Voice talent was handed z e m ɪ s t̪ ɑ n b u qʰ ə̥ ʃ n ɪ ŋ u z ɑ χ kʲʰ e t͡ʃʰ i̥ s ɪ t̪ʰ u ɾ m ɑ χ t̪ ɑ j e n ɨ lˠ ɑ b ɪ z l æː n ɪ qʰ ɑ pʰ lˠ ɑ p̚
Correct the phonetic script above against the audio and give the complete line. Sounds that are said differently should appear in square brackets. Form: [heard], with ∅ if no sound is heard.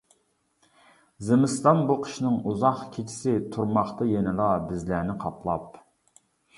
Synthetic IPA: z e m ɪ s t̪ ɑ n b u qʰ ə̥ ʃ n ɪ ŋ u z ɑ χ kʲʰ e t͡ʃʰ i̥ s ɪ t̪ʰ u ɾ m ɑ χ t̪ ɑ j e n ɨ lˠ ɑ b ɪ z l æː n ɪ qʰ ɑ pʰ lˠ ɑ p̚